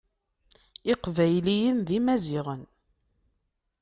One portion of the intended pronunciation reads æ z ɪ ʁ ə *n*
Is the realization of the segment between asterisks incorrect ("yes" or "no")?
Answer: no